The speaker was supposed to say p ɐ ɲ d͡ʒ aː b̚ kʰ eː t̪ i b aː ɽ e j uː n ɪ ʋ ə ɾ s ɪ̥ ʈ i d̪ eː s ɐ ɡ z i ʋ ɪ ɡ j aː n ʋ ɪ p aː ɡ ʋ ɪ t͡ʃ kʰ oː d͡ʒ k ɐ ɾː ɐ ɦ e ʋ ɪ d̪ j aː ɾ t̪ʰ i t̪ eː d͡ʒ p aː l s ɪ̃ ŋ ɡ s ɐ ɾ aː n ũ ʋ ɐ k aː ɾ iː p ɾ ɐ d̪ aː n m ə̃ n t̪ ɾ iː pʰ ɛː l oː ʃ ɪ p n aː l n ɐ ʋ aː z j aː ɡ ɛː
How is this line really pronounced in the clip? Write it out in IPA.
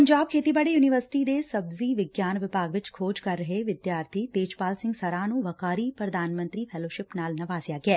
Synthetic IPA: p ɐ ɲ d͡ʒ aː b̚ kʰ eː t̪ i b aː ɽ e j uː n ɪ ʋ ə ɾ s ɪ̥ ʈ i d̪ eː s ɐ b z i ʋ ɪ ɡ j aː n ʋ ɪ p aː ɡ ʋ ɪ t͡ʃ kʰ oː d͡ʒ k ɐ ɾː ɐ ɦ e ʋ ɪ d̪ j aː ɾ t̪ʰ i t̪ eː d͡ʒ p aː l s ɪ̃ ŋ ɡ s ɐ ɾ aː n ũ ʋ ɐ k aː ɾ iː p ɾ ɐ d̪ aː n m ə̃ n t̪ ɾ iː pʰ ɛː l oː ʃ ɪ p n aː l n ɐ ʋ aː z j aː ɡ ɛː